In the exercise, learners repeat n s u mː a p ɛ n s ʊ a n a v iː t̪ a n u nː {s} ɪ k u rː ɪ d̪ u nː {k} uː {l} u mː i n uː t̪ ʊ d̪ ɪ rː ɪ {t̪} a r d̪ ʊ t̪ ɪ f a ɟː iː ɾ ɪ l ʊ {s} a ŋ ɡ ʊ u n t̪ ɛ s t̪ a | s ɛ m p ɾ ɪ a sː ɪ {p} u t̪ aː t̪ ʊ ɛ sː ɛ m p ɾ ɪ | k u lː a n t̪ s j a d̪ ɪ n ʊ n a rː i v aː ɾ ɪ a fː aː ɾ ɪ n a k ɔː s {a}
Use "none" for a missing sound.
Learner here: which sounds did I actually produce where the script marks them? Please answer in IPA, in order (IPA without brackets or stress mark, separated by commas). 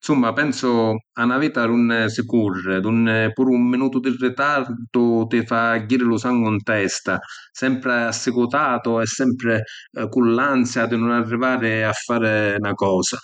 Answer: s, p, ɾ, t̪, s, k, a